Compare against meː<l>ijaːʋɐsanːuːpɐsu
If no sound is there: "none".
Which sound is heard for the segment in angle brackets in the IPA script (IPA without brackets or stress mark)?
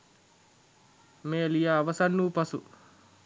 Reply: l